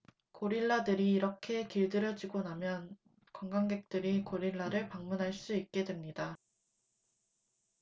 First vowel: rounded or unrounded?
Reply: rounded